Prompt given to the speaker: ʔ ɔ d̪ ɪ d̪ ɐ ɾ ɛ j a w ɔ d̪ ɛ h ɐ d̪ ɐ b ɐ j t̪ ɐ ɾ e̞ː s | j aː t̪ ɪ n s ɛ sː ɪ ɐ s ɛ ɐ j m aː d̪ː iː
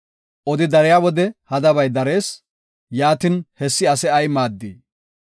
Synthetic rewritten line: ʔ ɔ d̪ ɪ d̪ ɐ ɾ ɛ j a w ɔ d̪ ɛ h ɐ d̪ ɐ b ɐ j d̪ ɐ ɾ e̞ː s | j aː t̪ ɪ n h ɛ sː ɪ ɐ s ɛ ɐ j m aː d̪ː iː